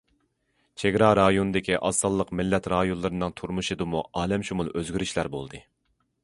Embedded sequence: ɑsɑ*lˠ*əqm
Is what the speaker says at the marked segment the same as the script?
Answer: no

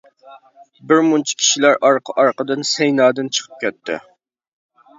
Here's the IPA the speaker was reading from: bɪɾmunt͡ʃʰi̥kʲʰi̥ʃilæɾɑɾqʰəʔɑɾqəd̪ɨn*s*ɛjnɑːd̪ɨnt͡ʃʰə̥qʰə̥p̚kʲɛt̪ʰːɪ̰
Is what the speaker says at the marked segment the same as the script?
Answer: yes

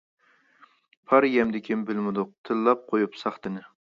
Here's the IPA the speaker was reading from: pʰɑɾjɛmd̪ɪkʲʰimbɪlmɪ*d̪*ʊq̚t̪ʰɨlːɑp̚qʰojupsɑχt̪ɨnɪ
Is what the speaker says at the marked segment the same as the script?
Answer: yes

